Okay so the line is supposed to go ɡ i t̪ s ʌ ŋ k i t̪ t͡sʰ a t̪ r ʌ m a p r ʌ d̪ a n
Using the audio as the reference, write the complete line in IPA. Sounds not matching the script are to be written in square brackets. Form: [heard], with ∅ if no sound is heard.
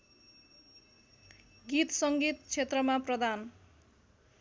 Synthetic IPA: ɡ i t̪ s ʌ ŋ [ɡ] i t̪ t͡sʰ [e] t̪ r ʌ m a p r ʌ d̪ a n